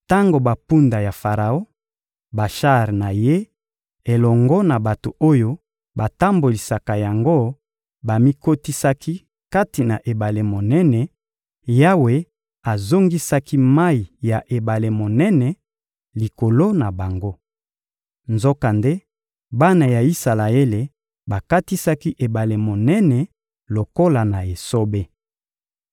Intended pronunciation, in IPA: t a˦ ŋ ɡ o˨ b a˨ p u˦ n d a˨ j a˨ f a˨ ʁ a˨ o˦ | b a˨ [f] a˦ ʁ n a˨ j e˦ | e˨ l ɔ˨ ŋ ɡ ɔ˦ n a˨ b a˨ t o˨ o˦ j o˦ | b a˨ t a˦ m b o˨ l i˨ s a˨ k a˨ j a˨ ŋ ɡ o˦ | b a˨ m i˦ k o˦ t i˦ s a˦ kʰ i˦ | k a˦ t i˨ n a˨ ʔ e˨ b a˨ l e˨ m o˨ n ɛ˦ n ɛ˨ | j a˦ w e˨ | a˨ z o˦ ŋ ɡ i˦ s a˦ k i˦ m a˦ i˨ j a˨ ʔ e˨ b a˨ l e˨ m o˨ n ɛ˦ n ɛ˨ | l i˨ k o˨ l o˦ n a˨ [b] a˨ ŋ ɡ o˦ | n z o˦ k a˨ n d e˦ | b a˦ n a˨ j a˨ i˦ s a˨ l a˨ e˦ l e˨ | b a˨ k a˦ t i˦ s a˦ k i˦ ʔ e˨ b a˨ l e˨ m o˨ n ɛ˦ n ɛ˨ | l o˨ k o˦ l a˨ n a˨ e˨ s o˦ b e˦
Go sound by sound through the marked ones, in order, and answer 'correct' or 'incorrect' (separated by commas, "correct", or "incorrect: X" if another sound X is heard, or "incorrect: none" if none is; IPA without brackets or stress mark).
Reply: incorrect: ʃ, correct